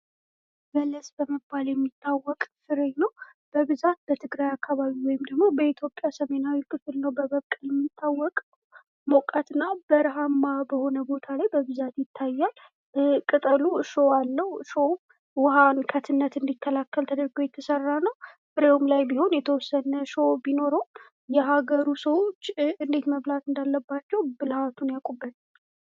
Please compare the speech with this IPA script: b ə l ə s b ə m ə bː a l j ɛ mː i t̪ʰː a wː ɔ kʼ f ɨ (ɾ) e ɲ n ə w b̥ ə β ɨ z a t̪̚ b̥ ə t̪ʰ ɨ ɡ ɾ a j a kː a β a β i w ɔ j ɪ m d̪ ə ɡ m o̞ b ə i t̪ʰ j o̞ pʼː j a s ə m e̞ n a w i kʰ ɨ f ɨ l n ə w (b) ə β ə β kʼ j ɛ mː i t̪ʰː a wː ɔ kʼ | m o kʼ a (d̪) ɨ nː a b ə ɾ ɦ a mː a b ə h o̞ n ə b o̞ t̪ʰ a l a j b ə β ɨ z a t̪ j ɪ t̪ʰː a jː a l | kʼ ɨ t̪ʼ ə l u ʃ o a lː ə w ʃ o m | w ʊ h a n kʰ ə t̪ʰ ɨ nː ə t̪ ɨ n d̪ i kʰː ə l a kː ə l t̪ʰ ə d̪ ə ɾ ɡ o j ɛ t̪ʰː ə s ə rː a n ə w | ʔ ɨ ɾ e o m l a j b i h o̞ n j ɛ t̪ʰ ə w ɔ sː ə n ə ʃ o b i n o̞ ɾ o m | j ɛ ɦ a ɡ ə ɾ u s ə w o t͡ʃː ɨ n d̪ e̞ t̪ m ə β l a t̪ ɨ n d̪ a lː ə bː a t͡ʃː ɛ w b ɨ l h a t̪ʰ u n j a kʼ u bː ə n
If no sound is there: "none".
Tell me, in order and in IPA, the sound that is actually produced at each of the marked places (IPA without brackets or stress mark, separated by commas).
ɾ, b, t̪